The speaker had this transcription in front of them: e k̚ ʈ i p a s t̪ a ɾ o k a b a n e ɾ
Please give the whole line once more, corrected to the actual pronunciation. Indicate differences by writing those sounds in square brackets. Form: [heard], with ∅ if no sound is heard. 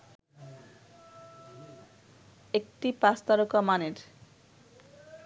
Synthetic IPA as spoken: e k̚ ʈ i p a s t̪ a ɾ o k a [m] a n e ɾ